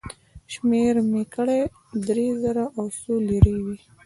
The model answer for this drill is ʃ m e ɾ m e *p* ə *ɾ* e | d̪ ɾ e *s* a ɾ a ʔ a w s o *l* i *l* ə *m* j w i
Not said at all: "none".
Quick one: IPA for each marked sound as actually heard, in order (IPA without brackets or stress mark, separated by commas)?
k, ɽ, z, l, ɾ, none